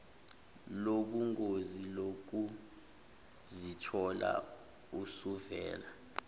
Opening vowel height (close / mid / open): mid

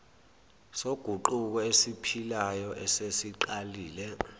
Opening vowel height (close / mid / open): mid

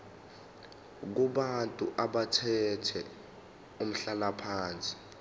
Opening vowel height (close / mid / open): close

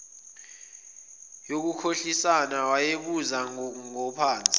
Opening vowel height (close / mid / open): mid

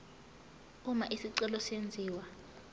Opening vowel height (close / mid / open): close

